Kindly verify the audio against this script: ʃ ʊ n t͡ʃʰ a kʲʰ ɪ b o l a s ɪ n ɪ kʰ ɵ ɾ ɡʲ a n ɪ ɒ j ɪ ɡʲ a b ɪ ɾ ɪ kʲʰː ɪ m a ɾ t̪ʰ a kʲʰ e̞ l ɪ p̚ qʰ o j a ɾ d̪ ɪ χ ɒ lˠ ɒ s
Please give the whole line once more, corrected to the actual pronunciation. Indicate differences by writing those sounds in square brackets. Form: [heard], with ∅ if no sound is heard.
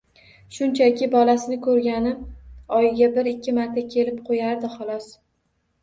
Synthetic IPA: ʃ ʊ n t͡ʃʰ a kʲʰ ɪ b [ɒ] l a s ɪ n ɪ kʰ ɵ ɾ ɡʲ a n ɪ ɒ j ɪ ɡʲ a b ɪ ɾ ɪ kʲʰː ɪ m a ɾ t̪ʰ a kʲʰ e̞ l ɪ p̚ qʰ o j a ɾ d̪ ɪ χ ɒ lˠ ɒ s